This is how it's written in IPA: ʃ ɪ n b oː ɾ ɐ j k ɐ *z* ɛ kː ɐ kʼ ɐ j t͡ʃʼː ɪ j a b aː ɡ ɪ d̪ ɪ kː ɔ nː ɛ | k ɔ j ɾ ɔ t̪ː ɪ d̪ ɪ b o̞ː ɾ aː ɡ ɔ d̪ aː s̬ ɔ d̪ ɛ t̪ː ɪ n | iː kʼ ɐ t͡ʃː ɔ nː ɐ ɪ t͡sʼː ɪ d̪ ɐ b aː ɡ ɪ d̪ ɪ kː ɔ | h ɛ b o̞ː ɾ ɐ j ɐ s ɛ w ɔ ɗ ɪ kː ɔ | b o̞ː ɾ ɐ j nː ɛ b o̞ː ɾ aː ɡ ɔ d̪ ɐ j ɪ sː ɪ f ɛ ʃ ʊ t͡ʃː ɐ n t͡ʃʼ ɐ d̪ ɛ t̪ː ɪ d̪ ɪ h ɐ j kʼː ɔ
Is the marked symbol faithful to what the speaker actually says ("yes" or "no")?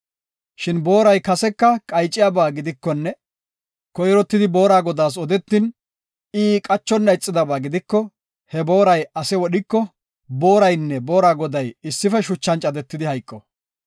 no